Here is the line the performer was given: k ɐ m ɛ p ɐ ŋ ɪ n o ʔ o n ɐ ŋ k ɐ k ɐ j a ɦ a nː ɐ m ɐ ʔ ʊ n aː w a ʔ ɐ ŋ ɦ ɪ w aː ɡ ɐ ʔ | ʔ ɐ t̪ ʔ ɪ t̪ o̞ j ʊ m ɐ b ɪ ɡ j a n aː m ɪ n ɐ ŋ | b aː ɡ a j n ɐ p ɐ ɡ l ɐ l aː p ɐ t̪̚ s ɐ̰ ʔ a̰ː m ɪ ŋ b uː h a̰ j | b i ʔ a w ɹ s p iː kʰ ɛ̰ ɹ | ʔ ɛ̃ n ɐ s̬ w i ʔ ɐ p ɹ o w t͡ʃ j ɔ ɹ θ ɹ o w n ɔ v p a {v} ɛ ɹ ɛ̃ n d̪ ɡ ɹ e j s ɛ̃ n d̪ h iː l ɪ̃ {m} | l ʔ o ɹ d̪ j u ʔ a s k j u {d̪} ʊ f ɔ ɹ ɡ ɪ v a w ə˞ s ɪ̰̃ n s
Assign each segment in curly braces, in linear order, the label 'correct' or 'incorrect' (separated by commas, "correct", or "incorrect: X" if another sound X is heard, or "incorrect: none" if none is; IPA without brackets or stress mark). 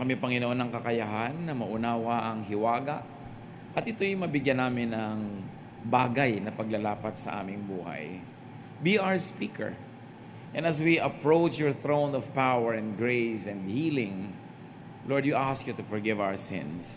incorrect: w, incorrect: ŋ, incorrect: t̪